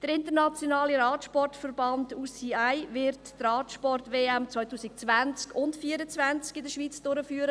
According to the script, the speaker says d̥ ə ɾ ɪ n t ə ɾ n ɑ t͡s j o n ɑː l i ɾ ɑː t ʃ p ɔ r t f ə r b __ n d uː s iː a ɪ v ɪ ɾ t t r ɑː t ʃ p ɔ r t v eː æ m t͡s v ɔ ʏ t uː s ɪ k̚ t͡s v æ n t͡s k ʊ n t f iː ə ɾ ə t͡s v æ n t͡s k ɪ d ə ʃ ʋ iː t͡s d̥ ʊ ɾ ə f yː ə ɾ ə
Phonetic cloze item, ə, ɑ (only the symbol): ɑ